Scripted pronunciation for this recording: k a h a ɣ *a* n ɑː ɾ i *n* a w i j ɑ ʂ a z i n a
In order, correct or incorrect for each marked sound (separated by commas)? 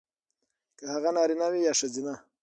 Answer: correct, correct